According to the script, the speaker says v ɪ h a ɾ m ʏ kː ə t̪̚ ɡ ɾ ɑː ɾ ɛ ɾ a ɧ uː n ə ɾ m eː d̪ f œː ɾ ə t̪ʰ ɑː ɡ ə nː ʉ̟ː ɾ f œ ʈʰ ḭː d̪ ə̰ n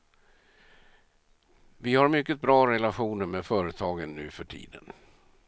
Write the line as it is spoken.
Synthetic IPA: v ɪ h a ɾ m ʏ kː ə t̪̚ b ɾ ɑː ɾ ɛ l a ɧ uː n ə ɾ m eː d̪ f œː ɾ ə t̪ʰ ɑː ɡ ə nː ʉ̟ː f œ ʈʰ ḭː d̪ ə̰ n